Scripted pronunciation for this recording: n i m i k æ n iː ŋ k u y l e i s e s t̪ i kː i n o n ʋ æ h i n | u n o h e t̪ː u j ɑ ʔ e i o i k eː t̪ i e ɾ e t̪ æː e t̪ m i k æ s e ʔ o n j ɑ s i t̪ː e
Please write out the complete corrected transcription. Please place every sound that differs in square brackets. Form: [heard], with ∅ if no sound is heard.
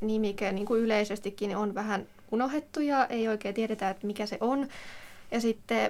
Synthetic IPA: n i m i k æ n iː ŋ k u y l e i s e s t̪ i kː i n o n ʋ æ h [æ] n | u n o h e t̪ː u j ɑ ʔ e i o i k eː t̪ i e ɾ e t̪ [æ] e t̪ m i k æ s e ʔ o n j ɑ s i t̪ː e